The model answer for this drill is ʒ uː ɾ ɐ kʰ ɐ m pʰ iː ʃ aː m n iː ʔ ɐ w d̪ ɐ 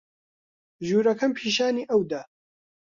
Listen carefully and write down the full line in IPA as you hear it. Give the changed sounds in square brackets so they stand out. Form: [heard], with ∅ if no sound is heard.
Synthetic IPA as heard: ʒ uː ɾ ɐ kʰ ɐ m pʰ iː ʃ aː [∅] n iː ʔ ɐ w d̪ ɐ